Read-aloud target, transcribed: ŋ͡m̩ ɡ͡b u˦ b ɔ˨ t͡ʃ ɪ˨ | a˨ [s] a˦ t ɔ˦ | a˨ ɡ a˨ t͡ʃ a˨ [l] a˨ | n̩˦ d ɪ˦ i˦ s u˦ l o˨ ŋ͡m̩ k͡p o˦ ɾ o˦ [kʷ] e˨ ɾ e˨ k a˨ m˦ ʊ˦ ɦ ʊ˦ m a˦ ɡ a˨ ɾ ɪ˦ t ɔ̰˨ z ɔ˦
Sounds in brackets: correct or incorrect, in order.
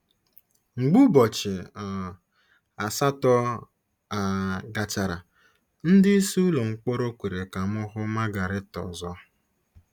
correct, incorrect, correct

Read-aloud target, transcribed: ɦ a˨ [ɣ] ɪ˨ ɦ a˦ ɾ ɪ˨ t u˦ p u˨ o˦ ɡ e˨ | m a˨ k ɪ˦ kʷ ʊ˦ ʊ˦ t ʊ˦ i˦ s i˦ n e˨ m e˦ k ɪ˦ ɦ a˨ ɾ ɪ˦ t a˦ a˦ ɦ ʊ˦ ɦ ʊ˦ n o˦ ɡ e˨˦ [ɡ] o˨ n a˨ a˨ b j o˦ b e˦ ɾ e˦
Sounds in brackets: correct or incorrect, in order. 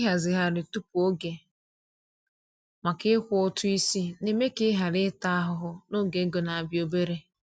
incorrect, correct

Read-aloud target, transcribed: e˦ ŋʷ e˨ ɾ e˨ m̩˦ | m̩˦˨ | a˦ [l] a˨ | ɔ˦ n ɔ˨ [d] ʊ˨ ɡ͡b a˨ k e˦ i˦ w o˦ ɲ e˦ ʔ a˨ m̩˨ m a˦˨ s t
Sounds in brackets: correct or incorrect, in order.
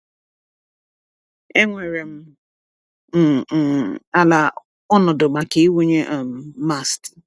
correct, correct

